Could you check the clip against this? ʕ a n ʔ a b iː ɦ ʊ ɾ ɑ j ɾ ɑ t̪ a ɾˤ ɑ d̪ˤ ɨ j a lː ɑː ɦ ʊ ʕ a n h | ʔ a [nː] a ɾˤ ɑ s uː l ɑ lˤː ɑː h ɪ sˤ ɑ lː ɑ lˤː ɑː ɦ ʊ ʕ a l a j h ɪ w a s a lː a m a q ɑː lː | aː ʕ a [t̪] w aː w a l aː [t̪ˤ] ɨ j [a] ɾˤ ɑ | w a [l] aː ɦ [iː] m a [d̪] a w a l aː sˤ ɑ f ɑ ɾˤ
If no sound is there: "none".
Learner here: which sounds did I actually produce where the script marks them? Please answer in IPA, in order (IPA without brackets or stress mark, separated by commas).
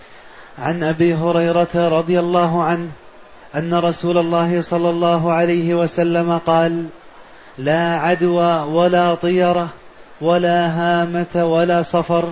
nː, d̪, t̪ˤ, ɑ, l, aː, t̪